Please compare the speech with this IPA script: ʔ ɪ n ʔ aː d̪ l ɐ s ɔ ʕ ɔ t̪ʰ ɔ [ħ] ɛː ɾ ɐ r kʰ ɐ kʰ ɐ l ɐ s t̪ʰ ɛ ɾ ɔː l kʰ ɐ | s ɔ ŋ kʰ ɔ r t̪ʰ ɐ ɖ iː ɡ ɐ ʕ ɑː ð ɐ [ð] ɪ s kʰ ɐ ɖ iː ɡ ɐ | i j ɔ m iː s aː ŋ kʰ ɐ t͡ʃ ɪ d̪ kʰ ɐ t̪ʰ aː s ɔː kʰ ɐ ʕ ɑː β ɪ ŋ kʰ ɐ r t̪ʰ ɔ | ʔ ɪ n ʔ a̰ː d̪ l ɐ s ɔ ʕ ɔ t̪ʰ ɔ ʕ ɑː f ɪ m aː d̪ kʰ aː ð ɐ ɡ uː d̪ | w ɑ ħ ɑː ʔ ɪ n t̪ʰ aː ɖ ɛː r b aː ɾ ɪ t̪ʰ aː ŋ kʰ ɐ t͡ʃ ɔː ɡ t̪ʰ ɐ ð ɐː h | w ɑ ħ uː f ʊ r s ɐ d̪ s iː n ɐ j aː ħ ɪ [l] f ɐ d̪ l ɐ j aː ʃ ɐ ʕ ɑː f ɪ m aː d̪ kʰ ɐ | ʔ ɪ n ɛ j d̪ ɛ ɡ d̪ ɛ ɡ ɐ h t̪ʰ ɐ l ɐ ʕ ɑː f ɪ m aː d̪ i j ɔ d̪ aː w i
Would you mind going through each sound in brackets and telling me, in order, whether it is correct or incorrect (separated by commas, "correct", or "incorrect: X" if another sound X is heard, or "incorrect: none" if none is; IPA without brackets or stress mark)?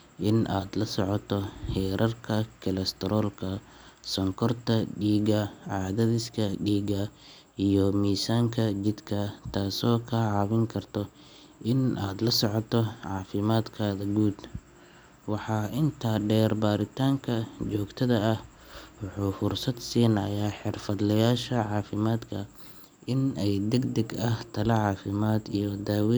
incorrect: h, correct, incorrect: r